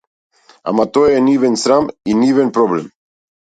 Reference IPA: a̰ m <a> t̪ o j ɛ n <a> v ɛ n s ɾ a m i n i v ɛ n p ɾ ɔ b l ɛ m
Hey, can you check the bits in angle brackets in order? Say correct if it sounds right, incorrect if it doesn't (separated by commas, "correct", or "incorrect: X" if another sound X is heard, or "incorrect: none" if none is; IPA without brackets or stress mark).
correct, incorrect: i